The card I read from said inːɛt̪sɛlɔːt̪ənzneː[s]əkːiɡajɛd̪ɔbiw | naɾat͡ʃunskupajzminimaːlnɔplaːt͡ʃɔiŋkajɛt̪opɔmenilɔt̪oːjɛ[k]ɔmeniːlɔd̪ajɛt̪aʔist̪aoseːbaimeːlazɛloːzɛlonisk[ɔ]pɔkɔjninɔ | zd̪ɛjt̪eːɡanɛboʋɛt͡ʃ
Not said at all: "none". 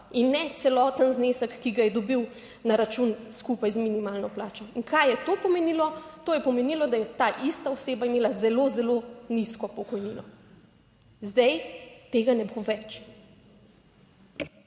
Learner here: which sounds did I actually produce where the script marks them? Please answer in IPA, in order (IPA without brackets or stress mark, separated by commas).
s, p, ɔ